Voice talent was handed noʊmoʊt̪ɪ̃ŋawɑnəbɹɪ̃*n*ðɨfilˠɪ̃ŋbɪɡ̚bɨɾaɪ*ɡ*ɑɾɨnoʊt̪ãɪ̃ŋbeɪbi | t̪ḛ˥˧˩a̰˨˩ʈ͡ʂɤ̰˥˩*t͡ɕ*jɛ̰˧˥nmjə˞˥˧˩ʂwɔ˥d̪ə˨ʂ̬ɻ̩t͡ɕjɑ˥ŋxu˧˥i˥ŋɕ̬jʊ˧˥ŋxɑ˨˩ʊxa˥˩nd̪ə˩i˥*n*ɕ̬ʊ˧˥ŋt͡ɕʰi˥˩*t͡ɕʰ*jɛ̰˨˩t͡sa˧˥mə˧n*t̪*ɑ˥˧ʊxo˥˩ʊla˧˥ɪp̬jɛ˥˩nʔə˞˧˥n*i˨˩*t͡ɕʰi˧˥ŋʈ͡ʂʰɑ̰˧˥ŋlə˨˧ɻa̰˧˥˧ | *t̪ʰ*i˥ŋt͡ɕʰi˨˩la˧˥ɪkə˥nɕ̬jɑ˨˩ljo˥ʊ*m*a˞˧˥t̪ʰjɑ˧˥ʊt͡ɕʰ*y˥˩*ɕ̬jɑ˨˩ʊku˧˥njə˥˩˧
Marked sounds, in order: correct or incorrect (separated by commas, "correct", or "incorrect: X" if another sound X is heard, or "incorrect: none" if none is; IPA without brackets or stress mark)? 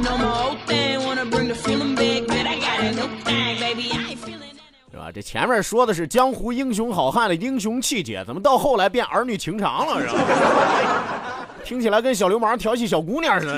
incorrect: ŋ, correct, incorrect: t͡ɕʰ, incorrect: ŋ, incorrect: t͡ɕ, correct, incorrect: y˨˩, correct, correct, incorrect: i˥˩